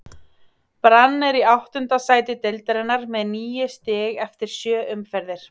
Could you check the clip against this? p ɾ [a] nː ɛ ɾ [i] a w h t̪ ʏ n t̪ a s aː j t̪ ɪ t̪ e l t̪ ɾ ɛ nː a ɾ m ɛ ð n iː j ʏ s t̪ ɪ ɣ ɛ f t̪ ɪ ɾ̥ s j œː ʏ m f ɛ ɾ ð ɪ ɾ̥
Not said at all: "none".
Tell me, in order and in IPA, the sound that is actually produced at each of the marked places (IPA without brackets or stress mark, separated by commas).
a, i